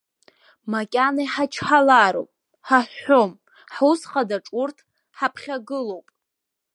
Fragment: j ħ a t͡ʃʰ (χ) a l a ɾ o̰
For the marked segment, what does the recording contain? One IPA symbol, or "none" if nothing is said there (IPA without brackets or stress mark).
ħ